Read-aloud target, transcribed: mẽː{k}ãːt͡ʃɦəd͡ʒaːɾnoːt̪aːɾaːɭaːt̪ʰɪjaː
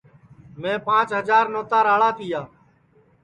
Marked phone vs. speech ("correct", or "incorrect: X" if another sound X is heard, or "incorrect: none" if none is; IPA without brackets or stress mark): incorrect: p